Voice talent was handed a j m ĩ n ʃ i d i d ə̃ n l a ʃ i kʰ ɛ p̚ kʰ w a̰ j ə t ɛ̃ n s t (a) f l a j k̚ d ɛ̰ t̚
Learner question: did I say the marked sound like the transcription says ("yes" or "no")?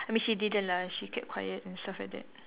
yes